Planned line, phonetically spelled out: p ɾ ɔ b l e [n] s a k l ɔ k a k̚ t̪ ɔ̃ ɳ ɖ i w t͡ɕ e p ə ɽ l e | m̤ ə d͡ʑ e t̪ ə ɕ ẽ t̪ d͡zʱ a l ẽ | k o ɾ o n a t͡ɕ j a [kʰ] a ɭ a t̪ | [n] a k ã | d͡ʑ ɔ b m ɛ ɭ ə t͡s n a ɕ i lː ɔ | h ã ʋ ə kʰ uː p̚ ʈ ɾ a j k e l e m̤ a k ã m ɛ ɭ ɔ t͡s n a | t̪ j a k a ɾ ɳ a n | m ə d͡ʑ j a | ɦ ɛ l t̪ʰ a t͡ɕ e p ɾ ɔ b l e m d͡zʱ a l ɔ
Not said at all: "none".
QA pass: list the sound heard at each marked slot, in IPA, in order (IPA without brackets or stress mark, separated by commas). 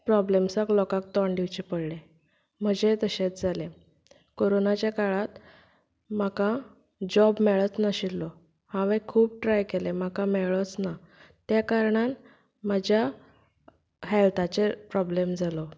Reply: m, k, m